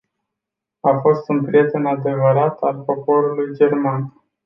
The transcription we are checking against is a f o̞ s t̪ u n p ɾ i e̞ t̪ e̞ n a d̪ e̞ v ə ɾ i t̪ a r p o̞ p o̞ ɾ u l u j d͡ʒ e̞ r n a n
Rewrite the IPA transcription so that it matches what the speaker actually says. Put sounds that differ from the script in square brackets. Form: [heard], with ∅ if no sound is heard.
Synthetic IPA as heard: a f o̞ s t̪ u n p ɾ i e̞ t̪ e̞ n a d̪ e̞ v ə ɾ [a] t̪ a [l] p o̞ p o̞ ɾ u l u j d͡ʒ e̞ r [m] a n